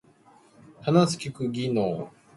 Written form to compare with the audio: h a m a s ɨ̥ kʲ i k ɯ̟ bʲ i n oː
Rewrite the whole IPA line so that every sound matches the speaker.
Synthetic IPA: h a n a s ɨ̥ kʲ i k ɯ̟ ɡʲ i n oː